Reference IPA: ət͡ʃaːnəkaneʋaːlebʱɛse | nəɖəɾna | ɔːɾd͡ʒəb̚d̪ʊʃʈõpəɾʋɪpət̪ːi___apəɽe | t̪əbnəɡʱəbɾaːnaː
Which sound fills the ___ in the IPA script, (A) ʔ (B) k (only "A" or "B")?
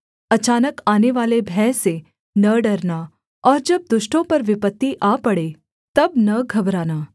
A